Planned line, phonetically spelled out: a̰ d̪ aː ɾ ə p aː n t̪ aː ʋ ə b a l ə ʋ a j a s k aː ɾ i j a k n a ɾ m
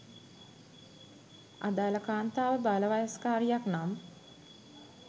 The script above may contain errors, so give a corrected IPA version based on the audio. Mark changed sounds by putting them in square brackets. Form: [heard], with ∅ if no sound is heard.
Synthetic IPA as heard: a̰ d̪ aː [l] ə [k] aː n t̪ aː ʋ ə b a l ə ʋ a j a s k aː ɾ i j a k n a [∅] m